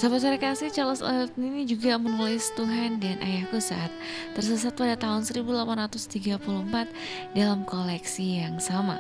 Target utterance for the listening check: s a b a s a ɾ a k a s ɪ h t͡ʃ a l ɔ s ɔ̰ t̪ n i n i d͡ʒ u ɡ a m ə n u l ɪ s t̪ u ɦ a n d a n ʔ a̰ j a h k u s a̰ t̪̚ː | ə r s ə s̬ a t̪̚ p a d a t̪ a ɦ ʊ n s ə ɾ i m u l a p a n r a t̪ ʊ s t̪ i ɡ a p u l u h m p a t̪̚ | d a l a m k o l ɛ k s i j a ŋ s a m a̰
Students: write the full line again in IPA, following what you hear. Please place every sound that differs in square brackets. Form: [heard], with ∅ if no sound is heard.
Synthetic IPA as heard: s a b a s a ɾ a k a s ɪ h t͡ʃ a l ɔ s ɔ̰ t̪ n i n i d͡ʒ u ɡ a m ə n u l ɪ s t̪ u ɦ a n d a n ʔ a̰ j a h k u s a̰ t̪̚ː | ə r s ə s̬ a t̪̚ p a d a t̪ a ɦ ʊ n s ə ɾ i [b] u l a p a n r a t̪ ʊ s t̪ i ɡ a p u l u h m p a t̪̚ | d a l a m k o l ɛ k s i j a ŋ s a m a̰